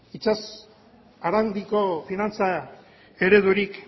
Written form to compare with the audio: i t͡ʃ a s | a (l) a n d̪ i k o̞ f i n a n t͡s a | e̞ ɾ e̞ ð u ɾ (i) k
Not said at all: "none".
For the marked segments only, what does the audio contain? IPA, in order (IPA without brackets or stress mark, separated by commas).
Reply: ɾ, i